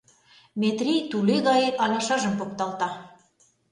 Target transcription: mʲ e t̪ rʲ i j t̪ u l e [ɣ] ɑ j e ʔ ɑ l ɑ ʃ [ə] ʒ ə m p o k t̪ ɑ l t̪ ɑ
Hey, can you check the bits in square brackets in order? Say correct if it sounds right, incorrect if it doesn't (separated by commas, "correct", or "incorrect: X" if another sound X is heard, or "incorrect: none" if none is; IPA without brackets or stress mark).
correct, incorrect: ɑ